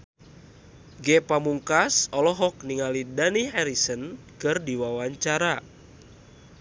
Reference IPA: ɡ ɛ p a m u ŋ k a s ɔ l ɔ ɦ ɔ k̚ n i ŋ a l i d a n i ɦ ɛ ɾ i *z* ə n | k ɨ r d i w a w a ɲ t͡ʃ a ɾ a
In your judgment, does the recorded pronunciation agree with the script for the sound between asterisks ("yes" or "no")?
no